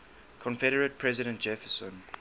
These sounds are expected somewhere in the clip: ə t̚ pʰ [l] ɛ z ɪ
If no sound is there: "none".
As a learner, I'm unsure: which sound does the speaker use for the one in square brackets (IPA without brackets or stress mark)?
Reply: ɹ